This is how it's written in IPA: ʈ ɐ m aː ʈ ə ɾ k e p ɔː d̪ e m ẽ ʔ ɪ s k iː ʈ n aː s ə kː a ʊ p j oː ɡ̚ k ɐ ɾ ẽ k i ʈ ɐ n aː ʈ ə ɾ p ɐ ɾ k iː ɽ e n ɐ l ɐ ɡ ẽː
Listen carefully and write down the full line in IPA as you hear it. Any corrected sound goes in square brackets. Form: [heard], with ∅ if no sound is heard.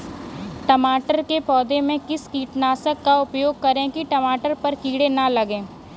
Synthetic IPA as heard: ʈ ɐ m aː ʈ ə ɾ k e p ɔː d̪ e m ẽ [k] ɪ s k iː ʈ n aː s ə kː a ʊ p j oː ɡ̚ k ɐ ɾ ẽ k i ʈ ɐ [m] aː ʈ ə ɾ p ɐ ɾ k iː ɽ e n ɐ l ɐ ɡ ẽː